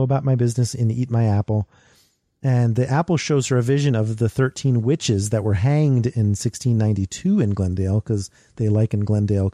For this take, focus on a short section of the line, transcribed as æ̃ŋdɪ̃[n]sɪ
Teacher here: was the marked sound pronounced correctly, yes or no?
yes